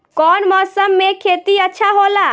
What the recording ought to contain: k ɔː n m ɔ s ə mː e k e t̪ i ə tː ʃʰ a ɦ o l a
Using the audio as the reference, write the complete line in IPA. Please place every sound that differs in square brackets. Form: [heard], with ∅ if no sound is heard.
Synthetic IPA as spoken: k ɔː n m ɔ s ə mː e [kʰ] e t̪ i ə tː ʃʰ a ɦ o l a